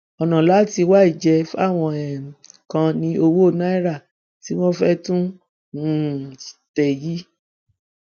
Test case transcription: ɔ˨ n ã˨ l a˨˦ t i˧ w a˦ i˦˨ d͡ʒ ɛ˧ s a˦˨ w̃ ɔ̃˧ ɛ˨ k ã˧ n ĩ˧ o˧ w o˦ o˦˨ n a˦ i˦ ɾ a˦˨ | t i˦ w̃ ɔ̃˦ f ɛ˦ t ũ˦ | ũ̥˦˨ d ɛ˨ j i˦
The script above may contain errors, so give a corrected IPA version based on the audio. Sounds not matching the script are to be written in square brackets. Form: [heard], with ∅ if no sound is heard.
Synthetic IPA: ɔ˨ n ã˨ l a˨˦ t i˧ w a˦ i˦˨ d͡ʒ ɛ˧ [f] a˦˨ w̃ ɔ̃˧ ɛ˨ k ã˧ n ĩ˧ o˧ w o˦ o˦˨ n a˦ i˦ ɾ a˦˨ | t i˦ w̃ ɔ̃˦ f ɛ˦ t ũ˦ | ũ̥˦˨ [t] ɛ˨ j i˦